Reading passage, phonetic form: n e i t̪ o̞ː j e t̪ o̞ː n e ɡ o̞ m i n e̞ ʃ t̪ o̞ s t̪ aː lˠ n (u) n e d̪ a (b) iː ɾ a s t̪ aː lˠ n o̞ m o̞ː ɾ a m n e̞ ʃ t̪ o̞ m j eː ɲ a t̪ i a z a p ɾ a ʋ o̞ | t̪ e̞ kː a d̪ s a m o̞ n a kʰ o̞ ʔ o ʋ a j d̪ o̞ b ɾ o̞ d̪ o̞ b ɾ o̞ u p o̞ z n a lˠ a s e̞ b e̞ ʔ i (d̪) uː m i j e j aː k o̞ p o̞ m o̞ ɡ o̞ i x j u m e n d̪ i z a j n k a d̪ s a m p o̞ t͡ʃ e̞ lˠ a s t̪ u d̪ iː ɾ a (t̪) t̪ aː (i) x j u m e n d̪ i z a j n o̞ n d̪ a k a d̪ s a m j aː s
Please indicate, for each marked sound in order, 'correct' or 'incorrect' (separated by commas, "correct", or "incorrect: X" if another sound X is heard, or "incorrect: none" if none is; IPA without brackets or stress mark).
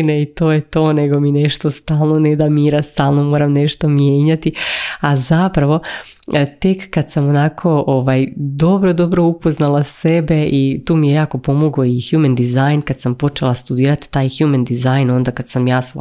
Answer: incorrect: o, incorrect: m, incorrect: t̪, correct, incorrect: j